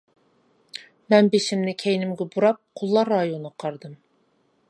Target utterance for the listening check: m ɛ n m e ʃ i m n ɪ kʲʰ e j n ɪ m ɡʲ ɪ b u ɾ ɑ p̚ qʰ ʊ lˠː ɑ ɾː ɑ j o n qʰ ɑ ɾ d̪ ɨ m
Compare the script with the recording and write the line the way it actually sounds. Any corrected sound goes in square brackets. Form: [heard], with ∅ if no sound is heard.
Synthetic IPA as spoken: m ɛ n [b] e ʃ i m n ɪ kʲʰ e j n ɪ m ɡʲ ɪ b u ɾ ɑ p̚ qʰ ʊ lˠː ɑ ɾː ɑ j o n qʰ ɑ ɾ d̪ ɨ m